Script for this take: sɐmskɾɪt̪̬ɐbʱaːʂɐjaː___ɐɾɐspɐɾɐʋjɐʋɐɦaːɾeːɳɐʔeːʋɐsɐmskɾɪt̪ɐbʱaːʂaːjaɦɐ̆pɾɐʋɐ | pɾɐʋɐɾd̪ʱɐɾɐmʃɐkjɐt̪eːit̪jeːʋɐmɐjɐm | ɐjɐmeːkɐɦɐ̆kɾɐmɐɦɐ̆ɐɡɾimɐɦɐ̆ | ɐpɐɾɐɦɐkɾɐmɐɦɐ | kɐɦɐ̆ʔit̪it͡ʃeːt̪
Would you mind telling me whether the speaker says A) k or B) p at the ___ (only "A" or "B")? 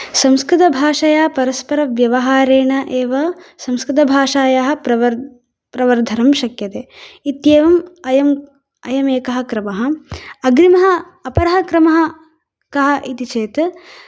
B